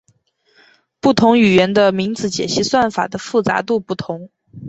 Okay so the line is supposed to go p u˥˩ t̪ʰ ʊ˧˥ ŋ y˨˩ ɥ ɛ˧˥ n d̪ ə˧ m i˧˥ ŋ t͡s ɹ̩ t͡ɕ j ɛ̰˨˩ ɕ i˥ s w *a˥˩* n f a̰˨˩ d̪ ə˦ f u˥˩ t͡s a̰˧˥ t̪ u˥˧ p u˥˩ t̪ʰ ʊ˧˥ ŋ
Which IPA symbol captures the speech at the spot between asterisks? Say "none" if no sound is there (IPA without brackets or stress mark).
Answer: a˥˩